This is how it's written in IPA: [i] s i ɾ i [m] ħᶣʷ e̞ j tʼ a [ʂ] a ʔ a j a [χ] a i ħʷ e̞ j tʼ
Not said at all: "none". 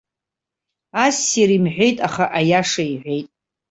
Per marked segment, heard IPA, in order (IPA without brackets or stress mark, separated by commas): a, m, χ, ʂ